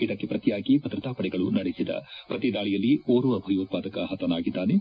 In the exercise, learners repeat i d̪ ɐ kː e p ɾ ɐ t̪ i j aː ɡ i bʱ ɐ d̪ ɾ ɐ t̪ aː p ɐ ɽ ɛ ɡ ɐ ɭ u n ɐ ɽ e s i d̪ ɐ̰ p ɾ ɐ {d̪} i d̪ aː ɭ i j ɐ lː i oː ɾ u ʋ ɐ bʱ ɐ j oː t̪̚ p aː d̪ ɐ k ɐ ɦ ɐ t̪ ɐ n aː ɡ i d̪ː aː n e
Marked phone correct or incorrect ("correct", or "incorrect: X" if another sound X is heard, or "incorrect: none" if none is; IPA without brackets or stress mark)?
incorrect: t̪